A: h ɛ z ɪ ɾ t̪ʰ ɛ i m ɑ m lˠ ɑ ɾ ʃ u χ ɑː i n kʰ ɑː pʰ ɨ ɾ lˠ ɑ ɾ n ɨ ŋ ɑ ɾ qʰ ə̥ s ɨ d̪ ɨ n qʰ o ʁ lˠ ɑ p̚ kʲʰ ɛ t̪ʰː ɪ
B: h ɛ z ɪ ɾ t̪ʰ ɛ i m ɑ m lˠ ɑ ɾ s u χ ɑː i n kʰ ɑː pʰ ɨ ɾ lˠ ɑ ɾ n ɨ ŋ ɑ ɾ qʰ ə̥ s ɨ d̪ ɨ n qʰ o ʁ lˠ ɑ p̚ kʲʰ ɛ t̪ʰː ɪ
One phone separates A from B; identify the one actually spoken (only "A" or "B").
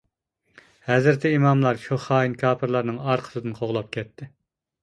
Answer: A